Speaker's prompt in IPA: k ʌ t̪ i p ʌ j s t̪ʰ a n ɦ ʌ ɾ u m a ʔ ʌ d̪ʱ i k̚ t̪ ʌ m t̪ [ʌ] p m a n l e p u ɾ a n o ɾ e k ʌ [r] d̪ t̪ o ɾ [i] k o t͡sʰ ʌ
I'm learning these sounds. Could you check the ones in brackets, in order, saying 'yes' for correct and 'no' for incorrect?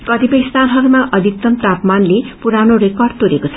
no, yes, no

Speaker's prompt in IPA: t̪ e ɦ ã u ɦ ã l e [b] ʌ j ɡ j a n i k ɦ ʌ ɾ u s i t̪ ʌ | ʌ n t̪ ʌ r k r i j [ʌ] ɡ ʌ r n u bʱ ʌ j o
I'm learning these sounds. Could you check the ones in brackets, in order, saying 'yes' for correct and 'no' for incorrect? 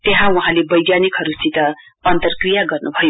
yes, no

